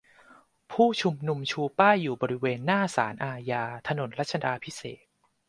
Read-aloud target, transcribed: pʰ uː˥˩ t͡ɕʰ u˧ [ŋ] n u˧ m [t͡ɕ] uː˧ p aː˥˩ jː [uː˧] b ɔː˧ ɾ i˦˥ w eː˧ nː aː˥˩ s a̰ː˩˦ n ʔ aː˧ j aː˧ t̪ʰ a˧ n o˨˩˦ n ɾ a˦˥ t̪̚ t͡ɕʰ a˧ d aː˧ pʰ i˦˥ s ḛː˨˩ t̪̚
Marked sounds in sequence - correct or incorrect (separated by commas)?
incorrect, incorrect, incorrect